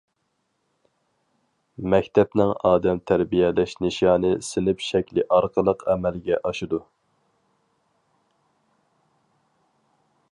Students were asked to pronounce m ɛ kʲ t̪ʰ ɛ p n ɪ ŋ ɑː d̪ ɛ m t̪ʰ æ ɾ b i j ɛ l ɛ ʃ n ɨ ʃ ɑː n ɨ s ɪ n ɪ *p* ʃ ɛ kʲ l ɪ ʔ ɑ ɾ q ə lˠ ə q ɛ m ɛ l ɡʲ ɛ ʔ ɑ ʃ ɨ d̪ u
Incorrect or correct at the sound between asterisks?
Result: correct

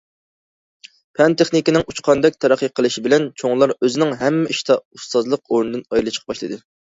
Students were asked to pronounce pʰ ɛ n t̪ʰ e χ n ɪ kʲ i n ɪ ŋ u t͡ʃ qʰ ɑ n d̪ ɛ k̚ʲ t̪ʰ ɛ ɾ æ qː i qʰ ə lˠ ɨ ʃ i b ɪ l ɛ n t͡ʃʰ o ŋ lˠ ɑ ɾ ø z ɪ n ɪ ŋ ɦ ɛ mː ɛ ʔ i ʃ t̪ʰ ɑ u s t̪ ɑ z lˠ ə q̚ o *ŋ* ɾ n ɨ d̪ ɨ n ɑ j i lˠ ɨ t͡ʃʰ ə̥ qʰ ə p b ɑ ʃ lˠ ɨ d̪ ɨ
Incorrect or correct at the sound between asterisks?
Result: incorrect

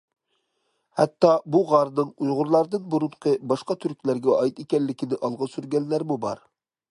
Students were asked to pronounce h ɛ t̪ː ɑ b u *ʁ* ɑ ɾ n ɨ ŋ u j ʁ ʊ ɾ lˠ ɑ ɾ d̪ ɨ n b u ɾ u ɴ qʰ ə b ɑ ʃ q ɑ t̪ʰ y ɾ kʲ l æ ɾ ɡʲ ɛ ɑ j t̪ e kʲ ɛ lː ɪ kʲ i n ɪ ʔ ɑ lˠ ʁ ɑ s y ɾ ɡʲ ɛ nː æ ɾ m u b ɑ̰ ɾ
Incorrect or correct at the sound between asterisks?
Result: correct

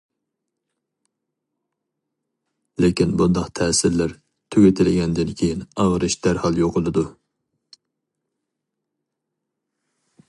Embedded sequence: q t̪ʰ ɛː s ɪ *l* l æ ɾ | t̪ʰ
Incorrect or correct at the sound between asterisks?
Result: incorrect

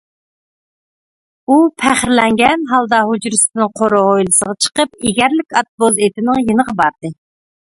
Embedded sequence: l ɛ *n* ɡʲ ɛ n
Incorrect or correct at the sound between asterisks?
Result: incorrect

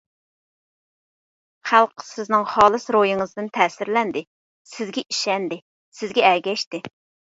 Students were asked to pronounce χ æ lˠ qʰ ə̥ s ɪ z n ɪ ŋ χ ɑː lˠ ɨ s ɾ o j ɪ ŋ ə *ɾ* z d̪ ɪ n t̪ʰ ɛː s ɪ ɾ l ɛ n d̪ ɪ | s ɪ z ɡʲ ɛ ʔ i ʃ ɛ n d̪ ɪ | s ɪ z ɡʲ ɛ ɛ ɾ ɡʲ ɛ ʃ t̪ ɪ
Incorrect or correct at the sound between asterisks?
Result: incorrect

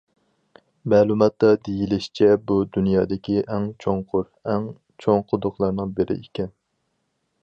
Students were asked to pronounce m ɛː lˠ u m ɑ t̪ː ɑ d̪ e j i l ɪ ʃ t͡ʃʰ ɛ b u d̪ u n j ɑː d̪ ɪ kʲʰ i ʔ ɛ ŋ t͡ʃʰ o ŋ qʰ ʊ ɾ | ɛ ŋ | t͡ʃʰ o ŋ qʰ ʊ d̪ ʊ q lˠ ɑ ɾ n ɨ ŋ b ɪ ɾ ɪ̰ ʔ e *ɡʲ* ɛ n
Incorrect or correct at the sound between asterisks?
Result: incorrect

